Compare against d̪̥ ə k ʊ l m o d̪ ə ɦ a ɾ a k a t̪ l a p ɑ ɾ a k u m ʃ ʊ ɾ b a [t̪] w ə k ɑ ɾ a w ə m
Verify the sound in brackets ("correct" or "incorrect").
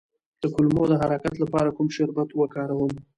correct